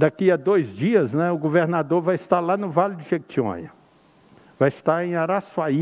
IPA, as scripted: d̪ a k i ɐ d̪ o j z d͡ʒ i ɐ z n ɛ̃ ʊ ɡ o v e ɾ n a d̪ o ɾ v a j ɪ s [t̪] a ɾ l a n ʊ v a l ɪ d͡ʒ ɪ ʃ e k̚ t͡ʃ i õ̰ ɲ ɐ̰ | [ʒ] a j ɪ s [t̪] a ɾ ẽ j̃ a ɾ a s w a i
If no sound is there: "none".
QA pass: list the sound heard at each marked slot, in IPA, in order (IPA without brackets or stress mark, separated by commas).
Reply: t̪, v, t̪